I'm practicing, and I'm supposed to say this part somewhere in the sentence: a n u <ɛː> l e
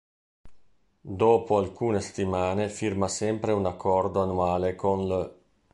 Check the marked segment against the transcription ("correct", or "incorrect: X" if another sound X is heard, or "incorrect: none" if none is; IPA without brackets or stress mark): incorrect: aː